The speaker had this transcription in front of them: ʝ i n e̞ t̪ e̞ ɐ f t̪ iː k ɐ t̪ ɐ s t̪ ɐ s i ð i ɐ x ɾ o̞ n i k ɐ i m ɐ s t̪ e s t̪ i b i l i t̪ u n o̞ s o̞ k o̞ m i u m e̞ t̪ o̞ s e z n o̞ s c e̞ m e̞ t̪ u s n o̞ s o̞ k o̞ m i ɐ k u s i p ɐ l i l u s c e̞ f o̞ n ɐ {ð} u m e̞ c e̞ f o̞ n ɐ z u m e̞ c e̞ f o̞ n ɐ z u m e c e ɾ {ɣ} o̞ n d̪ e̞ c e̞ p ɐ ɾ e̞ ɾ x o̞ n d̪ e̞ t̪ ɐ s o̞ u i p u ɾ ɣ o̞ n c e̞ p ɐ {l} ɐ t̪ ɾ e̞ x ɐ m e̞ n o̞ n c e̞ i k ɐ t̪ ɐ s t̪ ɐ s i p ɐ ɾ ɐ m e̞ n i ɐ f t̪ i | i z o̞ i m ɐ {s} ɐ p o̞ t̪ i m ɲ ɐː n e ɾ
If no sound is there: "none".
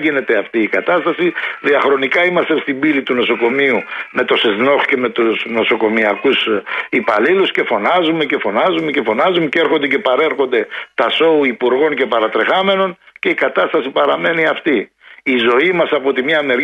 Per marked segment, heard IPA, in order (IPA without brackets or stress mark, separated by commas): z, x, ɾ, s